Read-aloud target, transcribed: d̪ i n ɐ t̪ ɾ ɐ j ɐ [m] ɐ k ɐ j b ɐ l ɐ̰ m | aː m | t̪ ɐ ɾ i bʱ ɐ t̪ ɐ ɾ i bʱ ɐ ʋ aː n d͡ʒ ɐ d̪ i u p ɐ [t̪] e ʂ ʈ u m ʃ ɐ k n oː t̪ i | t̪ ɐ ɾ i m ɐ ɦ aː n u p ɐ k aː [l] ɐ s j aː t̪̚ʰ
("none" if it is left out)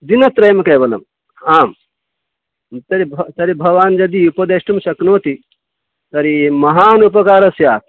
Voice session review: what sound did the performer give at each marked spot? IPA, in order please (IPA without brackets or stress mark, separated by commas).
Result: m, d̪, ɾ